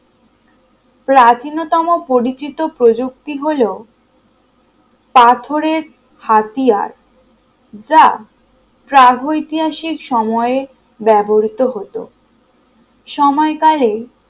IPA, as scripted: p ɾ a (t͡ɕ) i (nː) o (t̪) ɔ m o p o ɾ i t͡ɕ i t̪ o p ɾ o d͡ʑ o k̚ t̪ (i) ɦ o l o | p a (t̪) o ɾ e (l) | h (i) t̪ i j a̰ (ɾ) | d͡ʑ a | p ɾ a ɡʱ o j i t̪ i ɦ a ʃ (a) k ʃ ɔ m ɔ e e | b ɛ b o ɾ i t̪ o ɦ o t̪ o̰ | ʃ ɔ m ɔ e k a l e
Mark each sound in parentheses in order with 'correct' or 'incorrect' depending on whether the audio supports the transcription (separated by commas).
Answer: correct, incorrect, correct, correct, incorrect, incorrect, incorrect, correct, incorrect